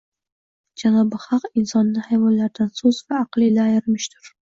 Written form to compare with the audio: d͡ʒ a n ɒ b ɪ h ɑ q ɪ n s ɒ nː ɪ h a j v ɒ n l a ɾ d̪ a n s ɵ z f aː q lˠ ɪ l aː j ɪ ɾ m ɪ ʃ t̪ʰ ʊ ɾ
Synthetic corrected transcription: d͡ʒ a n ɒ b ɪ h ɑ q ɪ n s ɒ nː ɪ h a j v ɒ n l a ɾ d̪ a n s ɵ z v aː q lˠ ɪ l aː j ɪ ɾ m ɪ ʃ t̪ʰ ʊ ɾ

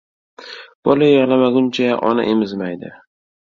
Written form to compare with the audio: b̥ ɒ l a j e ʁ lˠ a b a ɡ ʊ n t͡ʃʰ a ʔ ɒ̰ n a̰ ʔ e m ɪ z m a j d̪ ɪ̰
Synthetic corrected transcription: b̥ ɒ l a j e ʁ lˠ a m a ɡ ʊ n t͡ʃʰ a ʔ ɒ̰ n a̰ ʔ e m ɪ z m a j d̪ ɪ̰

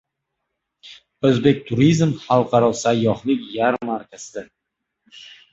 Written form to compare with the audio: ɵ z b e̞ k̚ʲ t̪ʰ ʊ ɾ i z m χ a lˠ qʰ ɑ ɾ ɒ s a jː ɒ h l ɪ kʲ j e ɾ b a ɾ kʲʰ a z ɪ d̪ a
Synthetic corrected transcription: ɵ z b e̞ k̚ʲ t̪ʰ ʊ ɾ i z m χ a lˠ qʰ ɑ ɾ ɒ s a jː ɒ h l ɪ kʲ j a ɾ m a ɾ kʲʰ a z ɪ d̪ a

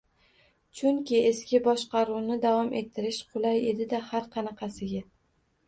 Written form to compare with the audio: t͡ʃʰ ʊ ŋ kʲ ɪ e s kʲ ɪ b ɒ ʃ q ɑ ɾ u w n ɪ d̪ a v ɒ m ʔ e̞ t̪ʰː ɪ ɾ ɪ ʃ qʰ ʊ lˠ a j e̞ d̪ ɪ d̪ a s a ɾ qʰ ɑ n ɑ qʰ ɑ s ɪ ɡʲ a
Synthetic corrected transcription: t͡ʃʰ ʊ ŋ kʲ ɪ e s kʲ ɪ b ɒ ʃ q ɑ ɾ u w n ɪ d̪ a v ɒ m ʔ e̞ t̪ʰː ɪ ɾ ɪ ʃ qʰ ʊ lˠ a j e̞ d̪ ɪ d̪ a h a ɾ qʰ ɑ n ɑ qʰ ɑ s ɪ ɡʲ a

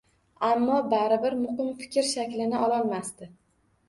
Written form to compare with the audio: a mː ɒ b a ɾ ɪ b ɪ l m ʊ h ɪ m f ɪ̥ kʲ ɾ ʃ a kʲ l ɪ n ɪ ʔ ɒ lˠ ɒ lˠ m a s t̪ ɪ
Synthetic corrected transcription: a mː ɒ b a ɾ ɪ b ɪ ɾ m ʊ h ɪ m f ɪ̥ kʲ ɾ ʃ a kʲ l ɪ n ɪ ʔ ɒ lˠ ɒ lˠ m a s t̪ ɪ

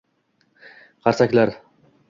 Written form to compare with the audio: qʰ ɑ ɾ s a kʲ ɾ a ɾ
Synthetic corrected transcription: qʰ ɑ ɾ s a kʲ l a ɾ

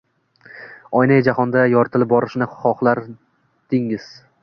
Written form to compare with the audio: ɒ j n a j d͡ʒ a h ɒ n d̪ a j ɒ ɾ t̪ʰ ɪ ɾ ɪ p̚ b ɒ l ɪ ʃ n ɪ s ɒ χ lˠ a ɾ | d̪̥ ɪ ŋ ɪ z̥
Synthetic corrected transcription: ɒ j n a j d͡ʒ a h ɒ n d̪ a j ɒ ɾ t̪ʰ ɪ l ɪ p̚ b ɒ ɾ ɪ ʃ n ɪ χ ɒ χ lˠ a ɾ | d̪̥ ɪ ŋ ɪ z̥

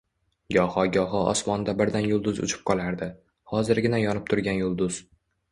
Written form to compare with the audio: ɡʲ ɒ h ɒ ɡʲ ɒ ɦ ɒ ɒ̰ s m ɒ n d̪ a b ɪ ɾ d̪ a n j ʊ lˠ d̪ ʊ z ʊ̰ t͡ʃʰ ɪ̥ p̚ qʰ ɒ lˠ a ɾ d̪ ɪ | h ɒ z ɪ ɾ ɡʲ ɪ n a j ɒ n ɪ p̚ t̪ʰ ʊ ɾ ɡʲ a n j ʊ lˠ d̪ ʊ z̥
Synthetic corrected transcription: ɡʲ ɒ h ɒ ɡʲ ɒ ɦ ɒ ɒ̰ s m ɒ n d̪ a b ɪ ɾ d̪ a n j ʊ lˠ d̪ ʊ z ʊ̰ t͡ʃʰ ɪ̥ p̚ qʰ ɒ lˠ a ɾ d̪ ɪ | h ɒ z ɪ ɾ ɡʲ ɪ n a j ɒ n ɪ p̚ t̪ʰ ʊ ɾ ɡʲ a n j ʊ lˠ d̪ ʊ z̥

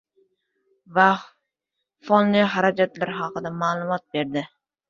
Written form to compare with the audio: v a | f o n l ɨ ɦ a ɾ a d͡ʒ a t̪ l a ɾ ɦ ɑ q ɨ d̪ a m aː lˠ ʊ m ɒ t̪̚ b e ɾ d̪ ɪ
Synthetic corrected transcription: v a | f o n l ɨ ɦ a ɾ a d͡ʒ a t̪ l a ɾ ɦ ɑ q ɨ d̪ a m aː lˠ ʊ m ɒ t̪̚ b e ɾ d̪ ɪ

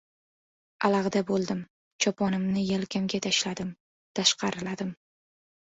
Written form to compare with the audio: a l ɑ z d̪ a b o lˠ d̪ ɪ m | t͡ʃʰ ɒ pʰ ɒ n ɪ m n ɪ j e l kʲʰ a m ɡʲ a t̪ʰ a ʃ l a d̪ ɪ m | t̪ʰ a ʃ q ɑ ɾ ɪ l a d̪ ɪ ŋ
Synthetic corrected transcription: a l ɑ ʁ d̪ a b o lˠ d̪ ɪ m | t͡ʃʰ ɒ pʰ ɒ n ɪ m n ɪ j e l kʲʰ a m ɡʲ a t̪ʰ a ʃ l a d̪ ɪ m | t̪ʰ a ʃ q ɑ ɾ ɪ l a d̪ ɪ m

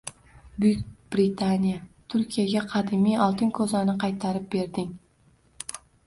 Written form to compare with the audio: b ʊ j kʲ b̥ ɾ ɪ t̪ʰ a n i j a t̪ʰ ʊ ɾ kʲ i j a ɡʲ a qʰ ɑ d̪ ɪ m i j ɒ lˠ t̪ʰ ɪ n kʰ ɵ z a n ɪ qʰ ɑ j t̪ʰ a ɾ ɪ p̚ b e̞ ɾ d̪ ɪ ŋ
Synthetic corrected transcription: b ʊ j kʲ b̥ ɾ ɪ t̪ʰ a n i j a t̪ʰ ʊ ɾ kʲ i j a ɡʲ a qʰ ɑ d̪ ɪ m i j ɒ lˠ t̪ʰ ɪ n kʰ ɵ z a n ɪ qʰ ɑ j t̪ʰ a ɾ ɪ p̚ b e̞ ɾ d̪ ɪ ŋ

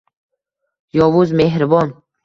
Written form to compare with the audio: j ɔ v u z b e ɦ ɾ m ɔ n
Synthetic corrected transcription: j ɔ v u z m e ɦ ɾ b ɔ n

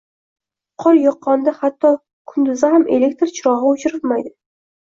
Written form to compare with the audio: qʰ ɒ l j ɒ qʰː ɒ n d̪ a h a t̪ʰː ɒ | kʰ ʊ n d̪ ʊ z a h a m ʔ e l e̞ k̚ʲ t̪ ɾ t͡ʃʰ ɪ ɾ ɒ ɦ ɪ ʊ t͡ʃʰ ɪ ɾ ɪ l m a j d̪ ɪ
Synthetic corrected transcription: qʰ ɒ l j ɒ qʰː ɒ n d̪ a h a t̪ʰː ɒ | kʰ ʊ n d̪ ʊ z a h a m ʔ e l e̞ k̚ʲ t̪ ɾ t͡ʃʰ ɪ ɾ ɒ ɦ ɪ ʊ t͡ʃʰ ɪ ɾ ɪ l m a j d̪ ɪ

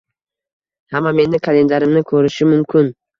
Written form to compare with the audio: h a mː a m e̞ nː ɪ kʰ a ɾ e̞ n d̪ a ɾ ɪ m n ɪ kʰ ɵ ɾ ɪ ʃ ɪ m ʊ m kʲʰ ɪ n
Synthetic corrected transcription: h a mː a m e̞ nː ɪ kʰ a l e̞ n d̪ a ɾ ɪ m n ɪ kʰ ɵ ɾ ɪ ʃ ɪ m ʊ m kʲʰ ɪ n

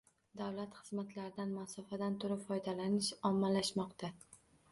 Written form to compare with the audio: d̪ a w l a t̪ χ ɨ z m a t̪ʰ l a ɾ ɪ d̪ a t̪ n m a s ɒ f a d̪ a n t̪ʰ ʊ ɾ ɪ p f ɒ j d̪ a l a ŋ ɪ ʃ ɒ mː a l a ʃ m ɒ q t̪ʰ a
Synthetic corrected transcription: d̪ a w l a t̪ χ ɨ z m a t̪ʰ l a ɾ ɪ d̪ a n m a s ɒ f a d̪ a n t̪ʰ ʊ ɾ ɪ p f ɒ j d̪ a l a n ɪ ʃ ɒ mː a l a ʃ m ɒ q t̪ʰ a

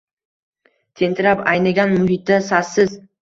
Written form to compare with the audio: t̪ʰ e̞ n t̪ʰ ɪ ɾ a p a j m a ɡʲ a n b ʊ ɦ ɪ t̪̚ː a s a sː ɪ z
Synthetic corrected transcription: t̪ʰ e̞ n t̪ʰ ɪ ɾ a p a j n a ɡʲ a n m ʊ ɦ ɪ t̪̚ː a s a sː ɪ z

